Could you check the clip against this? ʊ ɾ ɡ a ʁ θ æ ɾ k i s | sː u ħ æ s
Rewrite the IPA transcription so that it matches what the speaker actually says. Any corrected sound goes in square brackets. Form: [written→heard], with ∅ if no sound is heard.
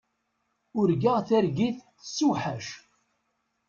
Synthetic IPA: ʊ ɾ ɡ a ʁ θ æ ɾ [k→ɡ] i [s→θ] | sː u ħ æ [s→ʃ]